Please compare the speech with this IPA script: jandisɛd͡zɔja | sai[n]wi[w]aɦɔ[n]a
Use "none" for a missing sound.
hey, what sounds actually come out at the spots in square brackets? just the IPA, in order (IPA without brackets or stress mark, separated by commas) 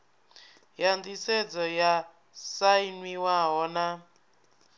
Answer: n, w, n